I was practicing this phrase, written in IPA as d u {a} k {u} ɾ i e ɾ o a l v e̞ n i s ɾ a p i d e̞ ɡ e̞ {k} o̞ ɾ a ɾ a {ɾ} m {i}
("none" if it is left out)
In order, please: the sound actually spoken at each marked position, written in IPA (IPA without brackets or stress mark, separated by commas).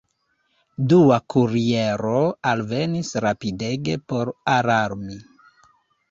a, u, p, ɾ, i